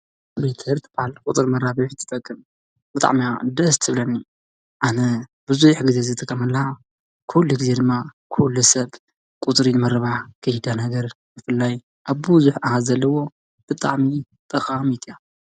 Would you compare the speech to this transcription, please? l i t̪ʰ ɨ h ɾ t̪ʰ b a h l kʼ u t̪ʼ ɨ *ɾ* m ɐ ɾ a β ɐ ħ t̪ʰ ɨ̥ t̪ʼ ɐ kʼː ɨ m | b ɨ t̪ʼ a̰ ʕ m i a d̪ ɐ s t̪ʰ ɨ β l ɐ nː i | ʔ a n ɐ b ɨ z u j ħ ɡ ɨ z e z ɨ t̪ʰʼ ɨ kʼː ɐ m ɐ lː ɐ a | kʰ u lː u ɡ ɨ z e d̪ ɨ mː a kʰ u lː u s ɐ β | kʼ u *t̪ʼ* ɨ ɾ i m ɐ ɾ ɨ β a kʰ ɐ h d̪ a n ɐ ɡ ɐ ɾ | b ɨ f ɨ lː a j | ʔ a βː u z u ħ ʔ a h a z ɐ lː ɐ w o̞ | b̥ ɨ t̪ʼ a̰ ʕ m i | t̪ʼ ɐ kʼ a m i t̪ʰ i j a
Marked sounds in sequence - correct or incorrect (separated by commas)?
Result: correct, correct